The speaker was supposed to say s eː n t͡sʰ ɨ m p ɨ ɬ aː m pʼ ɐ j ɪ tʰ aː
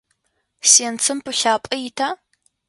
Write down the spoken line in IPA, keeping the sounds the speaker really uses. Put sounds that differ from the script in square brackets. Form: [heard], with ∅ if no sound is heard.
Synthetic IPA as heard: s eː n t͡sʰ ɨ m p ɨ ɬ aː [∅] pʼ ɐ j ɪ tʰ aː